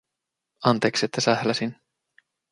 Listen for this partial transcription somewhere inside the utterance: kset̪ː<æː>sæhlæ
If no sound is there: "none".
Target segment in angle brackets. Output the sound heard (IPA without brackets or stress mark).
æ